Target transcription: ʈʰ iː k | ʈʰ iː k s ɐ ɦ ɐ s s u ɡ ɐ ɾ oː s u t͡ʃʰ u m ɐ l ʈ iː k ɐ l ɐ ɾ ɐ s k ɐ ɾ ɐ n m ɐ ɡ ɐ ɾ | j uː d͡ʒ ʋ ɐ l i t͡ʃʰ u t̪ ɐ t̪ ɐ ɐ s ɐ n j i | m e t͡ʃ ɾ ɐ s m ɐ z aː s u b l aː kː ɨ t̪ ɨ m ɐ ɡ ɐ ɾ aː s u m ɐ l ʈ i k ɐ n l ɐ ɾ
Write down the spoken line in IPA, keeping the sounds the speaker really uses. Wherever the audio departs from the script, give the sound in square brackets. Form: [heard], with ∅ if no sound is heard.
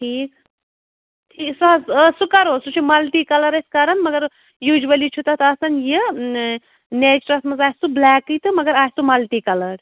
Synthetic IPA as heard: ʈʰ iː k | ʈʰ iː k s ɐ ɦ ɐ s s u [k] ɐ ɾ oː s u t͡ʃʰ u m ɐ l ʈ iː k ɐ l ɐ ɾ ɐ s k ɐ ɾ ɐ n m ɐ ɡ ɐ ɾ | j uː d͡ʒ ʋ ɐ l i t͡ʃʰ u t̪ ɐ t̪ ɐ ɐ s ɐ n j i | [n] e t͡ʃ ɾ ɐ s m ɐ z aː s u b l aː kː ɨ t̪ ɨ m ɐ ɡ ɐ ɾ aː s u m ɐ l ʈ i k ɐ [∅] l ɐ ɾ